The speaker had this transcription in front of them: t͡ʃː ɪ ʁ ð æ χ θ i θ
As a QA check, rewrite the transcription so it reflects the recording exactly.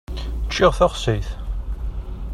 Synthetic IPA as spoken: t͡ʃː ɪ ʁ θ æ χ s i θ